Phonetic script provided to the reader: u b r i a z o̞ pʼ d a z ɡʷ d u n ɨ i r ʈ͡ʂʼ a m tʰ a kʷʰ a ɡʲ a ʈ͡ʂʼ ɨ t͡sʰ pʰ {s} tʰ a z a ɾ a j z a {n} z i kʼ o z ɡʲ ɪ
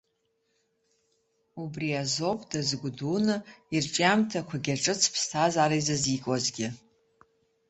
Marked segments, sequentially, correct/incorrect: correct, incorrect

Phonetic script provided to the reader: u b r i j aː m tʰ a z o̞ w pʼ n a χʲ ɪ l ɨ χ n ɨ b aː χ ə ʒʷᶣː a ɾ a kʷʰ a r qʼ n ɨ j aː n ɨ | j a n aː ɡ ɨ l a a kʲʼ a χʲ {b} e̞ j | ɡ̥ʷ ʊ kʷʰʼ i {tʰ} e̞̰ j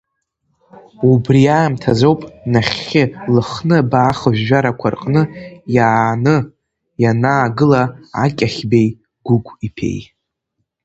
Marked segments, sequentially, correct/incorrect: correct, incorrect

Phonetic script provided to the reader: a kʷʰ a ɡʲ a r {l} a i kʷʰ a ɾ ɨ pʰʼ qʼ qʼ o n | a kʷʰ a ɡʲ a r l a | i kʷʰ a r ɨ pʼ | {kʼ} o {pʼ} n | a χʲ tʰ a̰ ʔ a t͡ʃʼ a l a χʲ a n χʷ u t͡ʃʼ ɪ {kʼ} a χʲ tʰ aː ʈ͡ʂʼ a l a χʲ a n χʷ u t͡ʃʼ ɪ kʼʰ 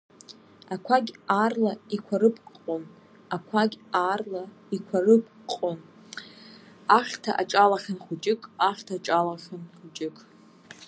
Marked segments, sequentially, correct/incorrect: correct, incorrect, incorrect, correct

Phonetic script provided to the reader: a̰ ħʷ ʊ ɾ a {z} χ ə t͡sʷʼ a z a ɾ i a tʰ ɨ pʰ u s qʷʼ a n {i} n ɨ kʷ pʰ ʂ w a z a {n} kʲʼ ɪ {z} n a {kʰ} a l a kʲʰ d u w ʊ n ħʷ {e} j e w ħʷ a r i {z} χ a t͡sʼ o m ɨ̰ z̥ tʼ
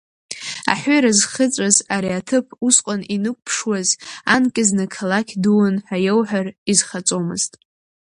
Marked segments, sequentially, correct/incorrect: correct, correct, correct, correct, correct, incorrect, correct

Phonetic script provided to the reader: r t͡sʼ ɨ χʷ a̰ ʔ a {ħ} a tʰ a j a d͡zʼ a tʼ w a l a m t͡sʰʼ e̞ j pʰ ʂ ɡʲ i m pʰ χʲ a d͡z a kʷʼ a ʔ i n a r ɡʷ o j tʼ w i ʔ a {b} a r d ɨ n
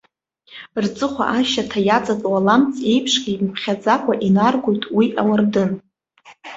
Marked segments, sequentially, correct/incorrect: incorrect, incorrect

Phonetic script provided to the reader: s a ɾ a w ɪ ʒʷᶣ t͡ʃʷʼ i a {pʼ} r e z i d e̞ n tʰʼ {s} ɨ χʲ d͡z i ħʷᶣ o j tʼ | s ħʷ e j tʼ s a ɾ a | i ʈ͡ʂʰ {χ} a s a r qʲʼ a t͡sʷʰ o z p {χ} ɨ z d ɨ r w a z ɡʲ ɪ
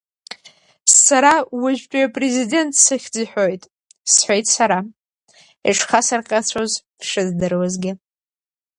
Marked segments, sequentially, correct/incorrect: correct, correct, correct, incorrect

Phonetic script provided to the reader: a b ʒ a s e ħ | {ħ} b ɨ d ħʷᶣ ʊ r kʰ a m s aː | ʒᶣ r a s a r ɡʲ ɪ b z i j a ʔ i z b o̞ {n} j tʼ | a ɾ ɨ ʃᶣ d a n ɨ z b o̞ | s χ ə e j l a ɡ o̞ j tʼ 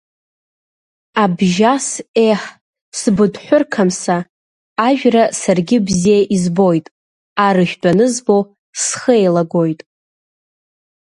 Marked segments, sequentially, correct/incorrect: incorrect, incorrect

